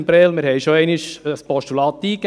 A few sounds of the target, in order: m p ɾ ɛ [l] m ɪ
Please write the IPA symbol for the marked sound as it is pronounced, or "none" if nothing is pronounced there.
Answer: l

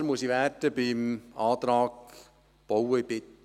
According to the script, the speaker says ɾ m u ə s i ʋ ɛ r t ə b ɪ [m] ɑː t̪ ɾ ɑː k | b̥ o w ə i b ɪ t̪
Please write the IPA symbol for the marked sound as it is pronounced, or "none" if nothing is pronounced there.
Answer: m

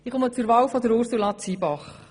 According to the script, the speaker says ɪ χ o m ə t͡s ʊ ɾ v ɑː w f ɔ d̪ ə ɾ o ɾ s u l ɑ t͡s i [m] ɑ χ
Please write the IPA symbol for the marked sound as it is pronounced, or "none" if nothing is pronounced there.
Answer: b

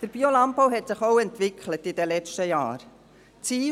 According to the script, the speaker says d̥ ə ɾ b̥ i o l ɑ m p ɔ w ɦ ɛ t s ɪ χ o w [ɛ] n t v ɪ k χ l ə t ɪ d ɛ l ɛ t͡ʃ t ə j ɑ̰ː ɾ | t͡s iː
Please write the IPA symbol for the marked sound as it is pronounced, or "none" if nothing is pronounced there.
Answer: ɛ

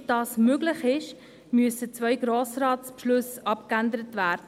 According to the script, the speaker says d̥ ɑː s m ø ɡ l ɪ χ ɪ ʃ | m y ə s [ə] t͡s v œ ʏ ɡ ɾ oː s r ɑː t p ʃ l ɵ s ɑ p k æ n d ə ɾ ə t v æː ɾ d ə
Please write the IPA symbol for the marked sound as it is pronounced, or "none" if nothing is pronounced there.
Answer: ə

